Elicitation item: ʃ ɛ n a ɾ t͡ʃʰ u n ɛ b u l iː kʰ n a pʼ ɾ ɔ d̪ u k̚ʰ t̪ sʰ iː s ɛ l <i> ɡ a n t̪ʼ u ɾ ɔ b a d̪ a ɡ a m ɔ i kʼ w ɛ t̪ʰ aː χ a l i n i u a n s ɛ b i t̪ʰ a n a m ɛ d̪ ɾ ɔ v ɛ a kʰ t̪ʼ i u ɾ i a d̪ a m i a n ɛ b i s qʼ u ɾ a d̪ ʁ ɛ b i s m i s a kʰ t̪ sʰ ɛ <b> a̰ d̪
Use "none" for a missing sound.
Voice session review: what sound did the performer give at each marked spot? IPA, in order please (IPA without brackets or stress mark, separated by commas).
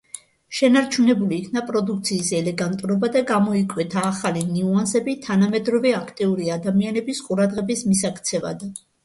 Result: ɛ, v